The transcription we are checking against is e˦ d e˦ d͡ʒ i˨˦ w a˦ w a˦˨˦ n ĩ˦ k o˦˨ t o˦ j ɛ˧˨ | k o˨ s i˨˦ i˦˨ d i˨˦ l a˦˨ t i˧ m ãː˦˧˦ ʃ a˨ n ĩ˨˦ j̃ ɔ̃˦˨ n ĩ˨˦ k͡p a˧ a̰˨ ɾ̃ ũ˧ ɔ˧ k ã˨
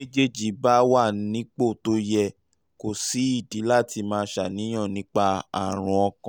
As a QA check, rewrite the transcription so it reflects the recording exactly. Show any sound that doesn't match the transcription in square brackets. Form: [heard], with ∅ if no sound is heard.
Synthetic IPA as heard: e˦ [d͡ʒ] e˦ d͡ʒ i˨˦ [b] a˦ w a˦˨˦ n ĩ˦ [k͡p] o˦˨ t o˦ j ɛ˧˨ | k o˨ s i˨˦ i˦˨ d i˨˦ l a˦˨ t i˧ m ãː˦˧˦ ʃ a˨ n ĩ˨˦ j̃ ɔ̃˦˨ n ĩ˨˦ k͡p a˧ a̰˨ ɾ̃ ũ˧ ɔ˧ k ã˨